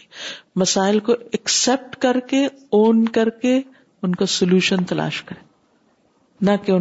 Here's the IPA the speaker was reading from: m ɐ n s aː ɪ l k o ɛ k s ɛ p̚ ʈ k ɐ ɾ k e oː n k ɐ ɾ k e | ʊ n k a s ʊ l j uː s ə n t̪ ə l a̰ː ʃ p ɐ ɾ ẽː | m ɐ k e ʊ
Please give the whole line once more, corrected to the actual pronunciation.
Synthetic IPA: m ɐ s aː ɪ l k o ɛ k s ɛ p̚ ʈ k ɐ ɾ k e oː n k ɐ ɾ k e | ʊ n k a s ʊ l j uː ʃ ə n t̪ ɐ l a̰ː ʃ k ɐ ɾ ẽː | n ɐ k e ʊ